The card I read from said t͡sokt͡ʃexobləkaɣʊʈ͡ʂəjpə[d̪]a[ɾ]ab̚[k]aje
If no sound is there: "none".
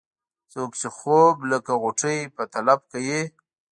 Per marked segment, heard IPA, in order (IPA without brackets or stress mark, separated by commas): t̪, l, k